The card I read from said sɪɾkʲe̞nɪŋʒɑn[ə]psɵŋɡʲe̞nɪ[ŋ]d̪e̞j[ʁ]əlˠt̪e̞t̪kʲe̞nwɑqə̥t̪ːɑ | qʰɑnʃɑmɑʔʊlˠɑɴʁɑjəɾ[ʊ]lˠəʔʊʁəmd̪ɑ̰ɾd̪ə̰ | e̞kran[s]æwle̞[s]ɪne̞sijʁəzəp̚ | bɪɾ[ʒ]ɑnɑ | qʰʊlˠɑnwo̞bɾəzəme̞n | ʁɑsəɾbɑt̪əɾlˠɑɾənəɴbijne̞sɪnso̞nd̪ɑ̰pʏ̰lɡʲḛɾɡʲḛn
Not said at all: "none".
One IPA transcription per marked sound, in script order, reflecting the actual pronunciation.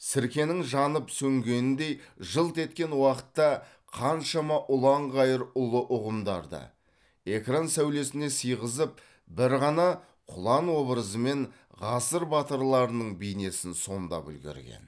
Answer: ə, n, ʒ, ʊ, s, s, ʁ

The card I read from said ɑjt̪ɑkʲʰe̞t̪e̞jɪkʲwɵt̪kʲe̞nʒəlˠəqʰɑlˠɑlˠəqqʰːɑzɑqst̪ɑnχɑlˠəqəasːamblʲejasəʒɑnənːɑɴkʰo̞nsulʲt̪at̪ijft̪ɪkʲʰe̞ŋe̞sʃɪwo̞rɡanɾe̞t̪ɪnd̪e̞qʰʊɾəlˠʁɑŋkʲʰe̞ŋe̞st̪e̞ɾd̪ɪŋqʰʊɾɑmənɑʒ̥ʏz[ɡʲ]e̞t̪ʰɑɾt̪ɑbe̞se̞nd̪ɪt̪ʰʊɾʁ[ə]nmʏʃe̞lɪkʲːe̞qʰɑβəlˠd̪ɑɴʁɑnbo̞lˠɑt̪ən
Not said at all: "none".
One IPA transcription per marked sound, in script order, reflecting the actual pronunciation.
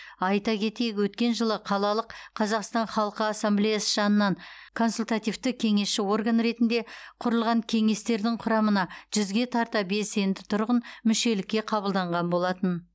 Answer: ɡʲ, ə

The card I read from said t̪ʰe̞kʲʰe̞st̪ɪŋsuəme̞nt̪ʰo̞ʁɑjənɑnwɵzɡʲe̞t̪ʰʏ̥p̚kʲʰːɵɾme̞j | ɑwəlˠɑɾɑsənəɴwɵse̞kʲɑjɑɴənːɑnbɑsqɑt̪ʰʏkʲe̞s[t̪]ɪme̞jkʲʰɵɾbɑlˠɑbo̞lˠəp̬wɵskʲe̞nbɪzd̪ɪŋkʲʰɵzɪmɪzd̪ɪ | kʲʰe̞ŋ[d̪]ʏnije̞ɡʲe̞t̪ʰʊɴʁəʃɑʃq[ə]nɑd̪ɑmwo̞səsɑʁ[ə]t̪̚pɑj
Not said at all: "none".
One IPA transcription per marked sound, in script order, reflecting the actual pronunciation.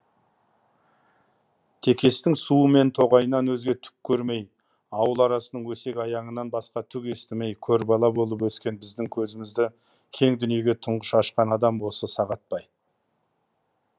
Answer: t̪, d̪, ɑ, ɑ

